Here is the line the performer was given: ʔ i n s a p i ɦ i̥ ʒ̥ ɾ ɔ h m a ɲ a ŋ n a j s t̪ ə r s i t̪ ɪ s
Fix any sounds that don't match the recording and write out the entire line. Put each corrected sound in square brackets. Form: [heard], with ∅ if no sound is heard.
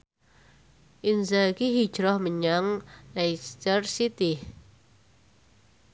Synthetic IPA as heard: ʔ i n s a [k] i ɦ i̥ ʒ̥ ɾ ɔ h m [ə] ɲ a ŋ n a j s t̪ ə r s i t̪ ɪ [h]